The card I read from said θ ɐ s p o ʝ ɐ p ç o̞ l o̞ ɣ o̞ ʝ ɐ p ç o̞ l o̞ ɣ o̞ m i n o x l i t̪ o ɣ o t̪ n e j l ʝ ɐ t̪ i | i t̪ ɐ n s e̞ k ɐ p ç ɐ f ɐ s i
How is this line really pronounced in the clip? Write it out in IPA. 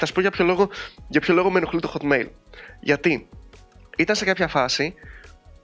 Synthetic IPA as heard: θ ɐ s p o ʝ ɐ p ç o̞ l o̞ ɣ o̞ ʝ ɐ p ç o̞ l o̞ ɣ o̞ m e n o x l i t̪ o x o t̪ m e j l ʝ ɐ t̪ i | i t̪ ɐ n s e̞ k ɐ p ç ɐ f ɐ s i